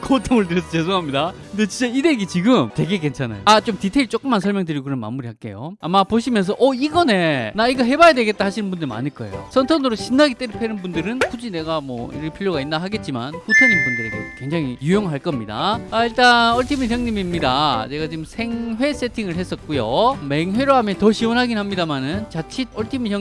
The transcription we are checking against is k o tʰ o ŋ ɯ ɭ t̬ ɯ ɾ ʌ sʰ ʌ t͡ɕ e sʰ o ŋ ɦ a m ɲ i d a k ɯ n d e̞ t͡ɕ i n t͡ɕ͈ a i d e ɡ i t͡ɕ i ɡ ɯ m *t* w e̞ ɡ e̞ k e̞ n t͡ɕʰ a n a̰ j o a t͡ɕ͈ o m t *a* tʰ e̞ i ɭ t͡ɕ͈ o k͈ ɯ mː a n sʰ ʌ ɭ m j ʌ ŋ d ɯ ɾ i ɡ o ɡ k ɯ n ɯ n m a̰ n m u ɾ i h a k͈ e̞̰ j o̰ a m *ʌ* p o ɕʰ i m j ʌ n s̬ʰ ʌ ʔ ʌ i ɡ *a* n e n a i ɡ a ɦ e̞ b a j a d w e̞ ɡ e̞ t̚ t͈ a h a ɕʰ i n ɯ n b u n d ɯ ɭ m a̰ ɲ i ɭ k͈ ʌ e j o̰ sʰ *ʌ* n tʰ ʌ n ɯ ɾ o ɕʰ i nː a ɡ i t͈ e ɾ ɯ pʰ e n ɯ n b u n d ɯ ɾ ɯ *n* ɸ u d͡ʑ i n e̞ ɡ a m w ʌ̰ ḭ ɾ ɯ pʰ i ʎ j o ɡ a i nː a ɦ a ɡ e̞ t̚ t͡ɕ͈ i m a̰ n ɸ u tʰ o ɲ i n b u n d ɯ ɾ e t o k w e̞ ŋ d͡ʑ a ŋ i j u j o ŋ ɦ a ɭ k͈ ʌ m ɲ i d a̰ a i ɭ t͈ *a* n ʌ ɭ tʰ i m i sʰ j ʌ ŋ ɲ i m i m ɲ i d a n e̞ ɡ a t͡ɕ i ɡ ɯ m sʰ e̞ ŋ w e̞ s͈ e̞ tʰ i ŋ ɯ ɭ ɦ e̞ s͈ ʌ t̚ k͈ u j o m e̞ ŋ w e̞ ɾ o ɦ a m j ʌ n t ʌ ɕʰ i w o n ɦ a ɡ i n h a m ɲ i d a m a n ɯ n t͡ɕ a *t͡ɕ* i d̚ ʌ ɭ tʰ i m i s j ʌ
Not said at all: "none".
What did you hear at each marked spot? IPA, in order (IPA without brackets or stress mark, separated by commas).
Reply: t, i, a, ʌ, ʌ, n, a, t͡ɕʰ